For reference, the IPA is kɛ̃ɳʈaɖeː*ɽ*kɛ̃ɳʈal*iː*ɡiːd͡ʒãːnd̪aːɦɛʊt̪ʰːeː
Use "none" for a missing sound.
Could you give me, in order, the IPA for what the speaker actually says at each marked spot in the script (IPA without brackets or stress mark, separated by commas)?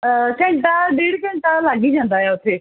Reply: ɽ, aː